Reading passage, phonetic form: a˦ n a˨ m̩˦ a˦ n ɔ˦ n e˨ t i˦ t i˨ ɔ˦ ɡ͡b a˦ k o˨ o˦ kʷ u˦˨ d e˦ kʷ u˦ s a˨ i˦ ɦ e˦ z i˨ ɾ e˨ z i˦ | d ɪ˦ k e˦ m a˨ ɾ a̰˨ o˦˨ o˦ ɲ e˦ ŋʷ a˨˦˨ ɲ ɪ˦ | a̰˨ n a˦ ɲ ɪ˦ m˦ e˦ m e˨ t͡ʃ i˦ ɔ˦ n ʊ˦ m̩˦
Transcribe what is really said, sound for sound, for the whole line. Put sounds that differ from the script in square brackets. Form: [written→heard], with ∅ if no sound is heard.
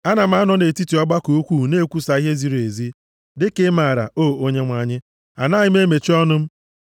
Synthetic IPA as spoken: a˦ n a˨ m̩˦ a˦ n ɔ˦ n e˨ t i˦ t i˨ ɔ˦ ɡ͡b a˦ k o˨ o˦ kʷ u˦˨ [d→n] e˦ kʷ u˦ s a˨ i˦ ɦ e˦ z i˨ ɾ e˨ z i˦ | d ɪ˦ k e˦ m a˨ ɾ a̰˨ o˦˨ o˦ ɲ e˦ ŋʷ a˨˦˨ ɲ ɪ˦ | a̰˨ n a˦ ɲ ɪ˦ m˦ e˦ m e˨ t͡ʃ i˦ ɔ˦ n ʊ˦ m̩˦